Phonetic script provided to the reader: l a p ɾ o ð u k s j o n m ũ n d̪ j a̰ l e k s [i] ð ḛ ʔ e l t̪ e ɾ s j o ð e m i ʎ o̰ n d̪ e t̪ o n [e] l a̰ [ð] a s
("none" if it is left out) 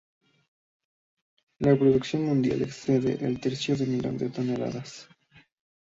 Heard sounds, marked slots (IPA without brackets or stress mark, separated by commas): e, e, ð